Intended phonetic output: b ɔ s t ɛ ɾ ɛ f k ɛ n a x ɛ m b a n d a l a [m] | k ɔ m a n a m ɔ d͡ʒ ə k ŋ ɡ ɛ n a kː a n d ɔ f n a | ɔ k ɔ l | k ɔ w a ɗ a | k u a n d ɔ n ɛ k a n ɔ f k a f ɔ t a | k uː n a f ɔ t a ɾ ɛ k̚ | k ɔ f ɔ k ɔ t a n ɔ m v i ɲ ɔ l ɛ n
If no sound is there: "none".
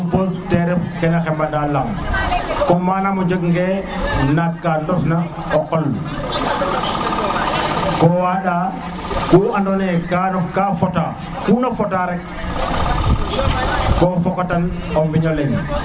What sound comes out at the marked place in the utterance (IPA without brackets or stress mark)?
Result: m